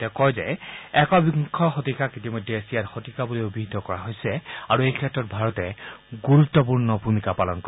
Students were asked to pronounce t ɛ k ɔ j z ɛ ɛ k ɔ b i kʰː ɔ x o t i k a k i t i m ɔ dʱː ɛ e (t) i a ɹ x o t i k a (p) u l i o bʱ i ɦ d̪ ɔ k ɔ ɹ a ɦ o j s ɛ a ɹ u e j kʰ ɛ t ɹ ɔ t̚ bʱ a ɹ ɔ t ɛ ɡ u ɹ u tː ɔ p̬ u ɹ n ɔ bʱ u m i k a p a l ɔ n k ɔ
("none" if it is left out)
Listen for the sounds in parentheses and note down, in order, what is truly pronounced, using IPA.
s, b

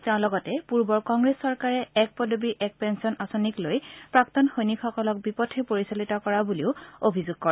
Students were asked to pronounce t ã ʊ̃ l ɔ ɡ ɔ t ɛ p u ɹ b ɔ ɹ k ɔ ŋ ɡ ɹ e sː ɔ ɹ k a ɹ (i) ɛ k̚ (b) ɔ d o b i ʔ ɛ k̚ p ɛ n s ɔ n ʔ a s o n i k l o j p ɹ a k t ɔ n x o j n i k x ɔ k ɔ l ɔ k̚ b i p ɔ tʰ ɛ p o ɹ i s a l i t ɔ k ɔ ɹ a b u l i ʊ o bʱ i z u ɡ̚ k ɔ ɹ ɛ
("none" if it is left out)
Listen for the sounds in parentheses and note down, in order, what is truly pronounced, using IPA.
ɛ, p

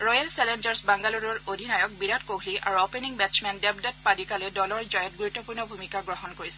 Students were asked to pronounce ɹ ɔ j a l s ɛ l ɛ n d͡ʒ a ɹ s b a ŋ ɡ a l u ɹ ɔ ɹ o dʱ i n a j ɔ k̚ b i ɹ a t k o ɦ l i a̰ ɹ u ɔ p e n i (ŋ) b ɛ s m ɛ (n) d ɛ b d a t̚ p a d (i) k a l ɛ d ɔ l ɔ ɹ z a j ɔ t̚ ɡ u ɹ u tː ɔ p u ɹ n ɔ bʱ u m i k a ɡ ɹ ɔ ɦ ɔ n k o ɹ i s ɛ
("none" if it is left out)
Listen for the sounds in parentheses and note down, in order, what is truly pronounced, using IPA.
ŋ, n, i

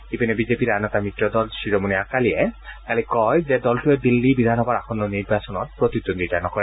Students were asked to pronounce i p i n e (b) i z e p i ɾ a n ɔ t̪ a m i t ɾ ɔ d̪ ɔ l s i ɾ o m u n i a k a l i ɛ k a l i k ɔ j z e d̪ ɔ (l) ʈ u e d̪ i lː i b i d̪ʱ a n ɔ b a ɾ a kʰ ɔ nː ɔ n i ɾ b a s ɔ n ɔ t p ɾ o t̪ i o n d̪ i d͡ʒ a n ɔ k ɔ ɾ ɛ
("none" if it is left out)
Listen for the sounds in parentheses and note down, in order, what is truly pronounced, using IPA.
b, l

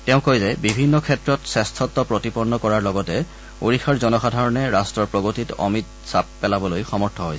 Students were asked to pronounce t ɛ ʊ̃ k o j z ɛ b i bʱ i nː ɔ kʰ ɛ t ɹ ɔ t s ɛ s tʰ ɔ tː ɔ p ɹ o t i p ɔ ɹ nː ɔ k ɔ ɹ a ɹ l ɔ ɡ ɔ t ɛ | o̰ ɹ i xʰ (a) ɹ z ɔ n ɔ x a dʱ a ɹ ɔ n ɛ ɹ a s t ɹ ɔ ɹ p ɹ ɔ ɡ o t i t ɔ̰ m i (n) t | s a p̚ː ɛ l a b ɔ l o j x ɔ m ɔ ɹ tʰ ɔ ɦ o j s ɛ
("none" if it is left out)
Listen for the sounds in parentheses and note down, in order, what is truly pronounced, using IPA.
a, none

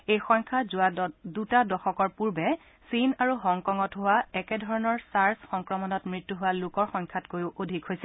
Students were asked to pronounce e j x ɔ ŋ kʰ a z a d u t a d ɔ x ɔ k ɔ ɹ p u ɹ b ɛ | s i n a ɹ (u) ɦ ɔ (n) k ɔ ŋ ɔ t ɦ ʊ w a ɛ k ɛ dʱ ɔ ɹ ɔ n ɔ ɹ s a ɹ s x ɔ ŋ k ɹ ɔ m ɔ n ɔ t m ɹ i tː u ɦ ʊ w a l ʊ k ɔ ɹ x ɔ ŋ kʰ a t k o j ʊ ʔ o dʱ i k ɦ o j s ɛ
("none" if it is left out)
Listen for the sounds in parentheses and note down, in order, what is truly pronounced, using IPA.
u, ŋ

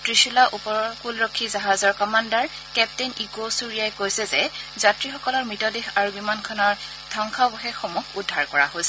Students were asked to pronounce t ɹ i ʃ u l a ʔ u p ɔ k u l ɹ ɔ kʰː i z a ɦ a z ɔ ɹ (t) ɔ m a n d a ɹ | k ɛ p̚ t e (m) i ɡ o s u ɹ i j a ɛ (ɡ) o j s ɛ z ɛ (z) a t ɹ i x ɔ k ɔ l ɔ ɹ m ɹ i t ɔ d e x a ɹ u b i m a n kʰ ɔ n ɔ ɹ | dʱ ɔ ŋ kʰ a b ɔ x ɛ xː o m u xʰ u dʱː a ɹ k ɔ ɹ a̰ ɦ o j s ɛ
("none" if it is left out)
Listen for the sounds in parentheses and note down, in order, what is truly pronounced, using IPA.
k, n, k, z

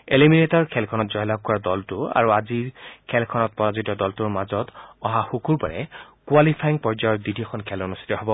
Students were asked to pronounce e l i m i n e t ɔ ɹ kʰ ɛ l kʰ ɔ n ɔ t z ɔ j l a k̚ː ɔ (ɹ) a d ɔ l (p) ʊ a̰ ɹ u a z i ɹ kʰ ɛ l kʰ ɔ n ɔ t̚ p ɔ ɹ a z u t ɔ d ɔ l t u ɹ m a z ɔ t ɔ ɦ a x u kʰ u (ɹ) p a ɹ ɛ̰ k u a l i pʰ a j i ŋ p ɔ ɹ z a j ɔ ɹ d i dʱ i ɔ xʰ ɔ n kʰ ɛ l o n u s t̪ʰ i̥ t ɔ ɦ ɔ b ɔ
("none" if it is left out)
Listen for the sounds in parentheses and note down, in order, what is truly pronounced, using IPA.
ɹ, t, ɹ

